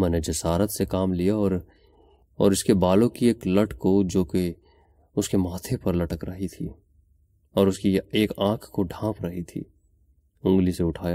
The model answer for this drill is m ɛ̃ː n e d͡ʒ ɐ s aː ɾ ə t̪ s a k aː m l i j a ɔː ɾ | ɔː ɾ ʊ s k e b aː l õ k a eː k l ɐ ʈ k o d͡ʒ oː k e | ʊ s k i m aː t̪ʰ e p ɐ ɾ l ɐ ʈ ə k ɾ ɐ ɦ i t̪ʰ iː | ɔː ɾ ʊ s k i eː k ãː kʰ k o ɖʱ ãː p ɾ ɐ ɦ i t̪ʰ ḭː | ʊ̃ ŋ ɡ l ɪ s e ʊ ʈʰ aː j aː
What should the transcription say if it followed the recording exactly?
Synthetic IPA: m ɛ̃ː n e d͡ʒ ɐ s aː ɾ ə t̪ s e k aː m l i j a ɔː ɾ | ɔː ɾ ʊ s k e b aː l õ k i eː k l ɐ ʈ k o d͡ʒ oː k e | ʊ s k e m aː t̪ʰ e p ɐ ɾ l ɐ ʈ ə k ɾ ɐ ɦ i t̪ʰ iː | ɔː ɾ ʊ s k i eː k ãː kʰ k o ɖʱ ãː p ɾ ɐ ɦ i t̪ʰ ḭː | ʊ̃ ŋ ɡ l i s e ʊ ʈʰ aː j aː